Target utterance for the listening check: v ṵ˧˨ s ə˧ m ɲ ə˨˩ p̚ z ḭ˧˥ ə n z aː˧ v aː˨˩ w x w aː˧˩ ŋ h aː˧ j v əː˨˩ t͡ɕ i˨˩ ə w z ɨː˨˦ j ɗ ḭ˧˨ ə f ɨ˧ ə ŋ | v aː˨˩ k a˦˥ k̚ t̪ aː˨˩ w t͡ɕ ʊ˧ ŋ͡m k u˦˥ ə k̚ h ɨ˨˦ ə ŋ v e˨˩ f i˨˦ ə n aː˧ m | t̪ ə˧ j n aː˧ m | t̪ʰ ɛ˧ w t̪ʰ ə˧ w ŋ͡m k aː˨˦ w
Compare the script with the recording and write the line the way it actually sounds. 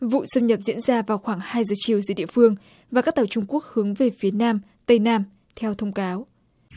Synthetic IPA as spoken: v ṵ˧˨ s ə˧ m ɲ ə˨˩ p̚ z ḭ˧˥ ə n z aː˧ v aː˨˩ w x w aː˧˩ ŋ h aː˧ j z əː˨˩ t͡ɕ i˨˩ ə w z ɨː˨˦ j ɗ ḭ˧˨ ə f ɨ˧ ə ŋ | v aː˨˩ k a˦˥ k̚ t̪ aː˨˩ w t͡ɕ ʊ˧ ŋ͡m k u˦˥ ə k̚ h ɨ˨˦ ə ŋ v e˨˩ f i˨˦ ə n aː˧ m | t̪ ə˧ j n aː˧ m | t̪ʰ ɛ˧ w t̪ʰ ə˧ w ŋ͡m k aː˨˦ w

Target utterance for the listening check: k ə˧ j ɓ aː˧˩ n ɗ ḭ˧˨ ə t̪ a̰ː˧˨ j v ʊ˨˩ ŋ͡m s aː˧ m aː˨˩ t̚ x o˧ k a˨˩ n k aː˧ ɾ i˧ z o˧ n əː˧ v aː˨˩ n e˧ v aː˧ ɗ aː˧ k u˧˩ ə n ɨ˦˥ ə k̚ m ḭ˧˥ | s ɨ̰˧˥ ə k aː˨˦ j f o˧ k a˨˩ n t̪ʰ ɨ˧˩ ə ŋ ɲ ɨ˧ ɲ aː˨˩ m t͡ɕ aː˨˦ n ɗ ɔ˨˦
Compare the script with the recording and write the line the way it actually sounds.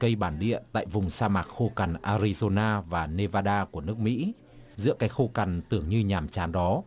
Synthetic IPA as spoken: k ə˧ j ɓ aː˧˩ n ɗ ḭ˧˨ ə t̪ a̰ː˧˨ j v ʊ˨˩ ŋ͡m s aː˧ m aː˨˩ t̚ x o˧ k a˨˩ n ʔ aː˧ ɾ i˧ z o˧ n aː˧ v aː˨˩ n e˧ v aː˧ ɗ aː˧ k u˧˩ ə n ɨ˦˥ ə k̚ m ḭ˧˥ | z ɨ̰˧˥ ə k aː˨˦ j x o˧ k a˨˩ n t̪ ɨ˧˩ ə ŋ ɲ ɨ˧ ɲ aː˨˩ m t͡ɕ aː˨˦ n ɗ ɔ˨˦

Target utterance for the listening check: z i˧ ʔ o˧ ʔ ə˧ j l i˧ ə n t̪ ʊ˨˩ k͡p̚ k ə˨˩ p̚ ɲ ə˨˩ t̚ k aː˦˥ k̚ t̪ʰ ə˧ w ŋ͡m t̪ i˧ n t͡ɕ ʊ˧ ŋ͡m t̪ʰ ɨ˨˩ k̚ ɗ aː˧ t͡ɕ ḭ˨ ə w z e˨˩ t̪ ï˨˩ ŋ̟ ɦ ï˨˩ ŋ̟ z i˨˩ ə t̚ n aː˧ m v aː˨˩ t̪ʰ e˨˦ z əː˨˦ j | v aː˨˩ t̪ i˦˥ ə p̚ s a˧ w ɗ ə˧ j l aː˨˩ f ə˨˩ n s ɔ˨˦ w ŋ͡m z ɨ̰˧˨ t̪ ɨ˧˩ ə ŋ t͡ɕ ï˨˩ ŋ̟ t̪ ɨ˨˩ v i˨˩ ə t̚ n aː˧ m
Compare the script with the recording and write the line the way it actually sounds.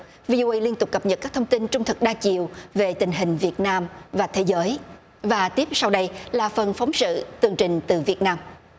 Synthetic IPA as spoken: v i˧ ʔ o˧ ʔ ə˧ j l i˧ ə n t̪ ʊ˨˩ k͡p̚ k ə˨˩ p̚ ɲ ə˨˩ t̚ k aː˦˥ k̚ t̪ʰ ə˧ w ŋ͡m t̪ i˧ n t͡ɕ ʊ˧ ŋ͡m t̪ʰ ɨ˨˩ k̚ ɗ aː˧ t͡ɕ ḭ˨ ə w v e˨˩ t̪ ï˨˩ ŋ̟ ɦ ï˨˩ ŋ̟ v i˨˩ ə t̚ n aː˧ m v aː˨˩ t̪ʰ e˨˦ z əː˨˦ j | v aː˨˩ t̪ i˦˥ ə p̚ s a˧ w ɗ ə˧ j l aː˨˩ f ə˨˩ n f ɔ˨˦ w ŋ͡m s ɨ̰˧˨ t̪ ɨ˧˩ ə ŋ t͡ɕ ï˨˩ ŋ̟ t̪ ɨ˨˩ v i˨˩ ə t̚ n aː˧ m

